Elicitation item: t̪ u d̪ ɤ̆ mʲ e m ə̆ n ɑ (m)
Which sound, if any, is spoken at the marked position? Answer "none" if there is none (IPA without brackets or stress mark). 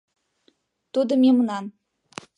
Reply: n